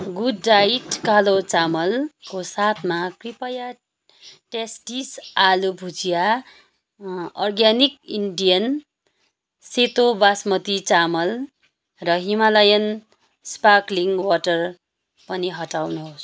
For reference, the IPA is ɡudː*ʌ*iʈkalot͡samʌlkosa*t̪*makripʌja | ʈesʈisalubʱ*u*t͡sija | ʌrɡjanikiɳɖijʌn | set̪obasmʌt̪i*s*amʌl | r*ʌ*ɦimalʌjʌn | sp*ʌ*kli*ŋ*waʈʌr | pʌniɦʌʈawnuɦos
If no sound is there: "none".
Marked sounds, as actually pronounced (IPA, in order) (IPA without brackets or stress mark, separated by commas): a, t̪ʰ, u, t͡s, ʌ, a, ŋ